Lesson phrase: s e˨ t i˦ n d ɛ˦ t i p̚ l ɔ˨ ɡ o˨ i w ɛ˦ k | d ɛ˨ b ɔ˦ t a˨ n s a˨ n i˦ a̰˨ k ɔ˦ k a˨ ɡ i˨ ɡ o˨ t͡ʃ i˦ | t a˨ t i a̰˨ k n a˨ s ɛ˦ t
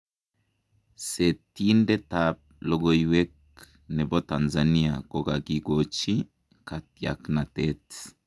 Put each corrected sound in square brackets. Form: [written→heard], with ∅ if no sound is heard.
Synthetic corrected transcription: s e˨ t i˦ n d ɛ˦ t [i→a] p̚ l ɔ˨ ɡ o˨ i w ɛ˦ k | [d→n] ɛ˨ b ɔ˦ t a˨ n [s→z] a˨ n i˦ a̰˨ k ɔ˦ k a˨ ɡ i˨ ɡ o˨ t͡ʃ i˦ | [t→k] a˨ t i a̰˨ k n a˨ [s→t] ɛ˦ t